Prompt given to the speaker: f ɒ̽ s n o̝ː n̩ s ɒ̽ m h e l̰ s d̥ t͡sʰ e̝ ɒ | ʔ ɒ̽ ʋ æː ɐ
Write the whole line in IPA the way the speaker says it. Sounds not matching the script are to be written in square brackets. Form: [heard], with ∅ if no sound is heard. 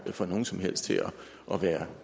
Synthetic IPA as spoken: f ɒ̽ [∅] n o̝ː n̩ s ɒ̽ m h e l̰ s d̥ t͡sʰ e̝ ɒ | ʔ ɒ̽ ʋ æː ɐ